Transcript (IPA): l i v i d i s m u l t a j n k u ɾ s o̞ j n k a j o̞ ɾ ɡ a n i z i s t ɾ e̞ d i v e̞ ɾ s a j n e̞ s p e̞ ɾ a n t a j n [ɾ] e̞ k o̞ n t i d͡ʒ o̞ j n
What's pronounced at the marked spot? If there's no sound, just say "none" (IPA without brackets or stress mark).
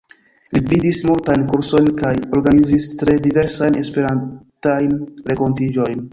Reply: ɾ